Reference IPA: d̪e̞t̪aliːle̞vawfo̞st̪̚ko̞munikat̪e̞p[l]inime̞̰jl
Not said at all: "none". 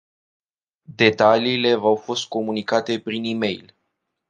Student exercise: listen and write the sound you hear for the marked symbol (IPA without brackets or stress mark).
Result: ɾ